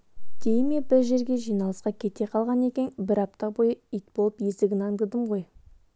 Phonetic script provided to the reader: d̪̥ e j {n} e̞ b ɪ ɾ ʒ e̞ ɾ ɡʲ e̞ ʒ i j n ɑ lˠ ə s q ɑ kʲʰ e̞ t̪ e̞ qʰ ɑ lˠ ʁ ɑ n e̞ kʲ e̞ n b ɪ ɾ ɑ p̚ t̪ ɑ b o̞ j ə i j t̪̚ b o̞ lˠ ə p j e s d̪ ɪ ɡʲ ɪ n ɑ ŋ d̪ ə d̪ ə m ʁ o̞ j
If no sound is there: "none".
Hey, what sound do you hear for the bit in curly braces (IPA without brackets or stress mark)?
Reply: m